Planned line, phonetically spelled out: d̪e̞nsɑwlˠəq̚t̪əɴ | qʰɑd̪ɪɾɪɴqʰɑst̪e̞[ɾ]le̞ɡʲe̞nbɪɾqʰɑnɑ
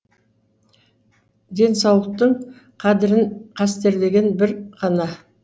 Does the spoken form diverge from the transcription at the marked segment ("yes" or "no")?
no